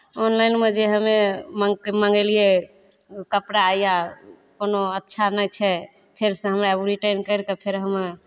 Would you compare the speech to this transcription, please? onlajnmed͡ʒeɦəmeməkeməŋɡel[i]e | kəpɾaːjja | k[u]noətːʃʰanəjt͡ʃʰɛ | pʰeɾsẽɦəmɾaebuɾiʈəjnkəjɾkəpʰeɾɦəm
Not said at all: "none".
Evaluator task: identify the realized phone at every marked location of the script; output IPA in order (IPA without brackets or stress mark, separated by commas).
i, o